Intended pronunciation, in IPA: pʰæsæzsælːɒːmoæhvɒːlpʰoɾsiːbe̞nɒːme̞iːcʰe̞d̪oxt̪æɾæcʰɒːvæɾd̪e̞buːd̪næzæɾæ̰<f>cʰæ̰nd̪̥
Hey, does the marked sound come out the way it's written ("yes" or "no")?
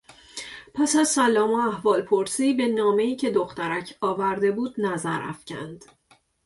yes